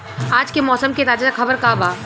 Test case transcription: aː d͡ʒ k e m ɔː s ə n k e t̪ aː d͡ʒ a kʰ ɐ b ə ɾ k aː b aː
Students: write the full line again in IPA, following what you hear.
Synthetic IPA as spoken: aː d͡ʒ k e m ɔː s ə m k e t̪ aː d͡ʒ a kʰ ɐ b ə ɾ k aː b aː